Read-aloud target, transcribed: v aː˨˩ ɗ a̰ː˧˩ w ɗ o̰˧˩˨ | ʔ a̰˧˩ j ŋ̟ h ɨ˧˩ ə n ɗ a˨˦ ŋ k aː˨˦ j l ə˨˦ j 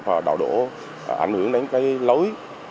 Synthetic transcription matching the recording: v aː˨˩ ɗ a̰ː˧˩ w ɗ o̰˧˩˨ | ʔ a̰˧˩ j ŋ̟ h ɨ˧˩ ə ŋ ɗ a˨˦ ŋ k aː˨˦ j l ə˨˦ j